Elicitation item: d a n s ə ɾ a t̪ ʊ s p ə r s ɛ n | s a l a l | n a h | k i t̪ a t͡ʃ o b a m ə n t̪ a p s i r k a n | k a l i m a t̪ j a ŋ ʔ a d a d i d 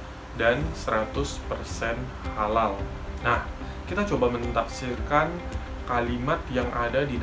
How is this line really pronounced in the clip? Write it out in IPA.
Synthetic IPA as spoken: d a n s ə ɾ a t̪ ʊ s p ə r s ɛ n | h a l a l | n a h | k i t̪ a t͡ʃ o b a m ə n t̪ a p s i r k a n | k a l i m a t̪ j a ŋ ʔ a d a d i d